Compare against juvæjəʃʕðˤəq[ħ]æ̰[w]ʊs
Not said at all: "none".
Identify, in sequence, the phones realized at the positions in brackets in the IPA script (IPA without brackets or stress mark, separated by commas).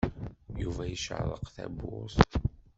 θ, b